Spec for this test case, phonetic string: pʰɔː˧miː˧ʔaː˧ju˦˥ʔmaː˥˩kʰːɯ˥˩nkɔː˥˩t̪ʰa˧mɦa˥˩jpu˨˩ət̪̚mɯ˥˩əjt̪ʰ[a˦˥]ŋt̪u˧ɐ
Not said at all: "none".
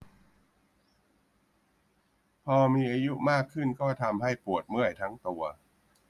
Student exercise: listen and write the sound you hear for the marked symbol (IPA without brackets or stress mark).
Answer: a˦˥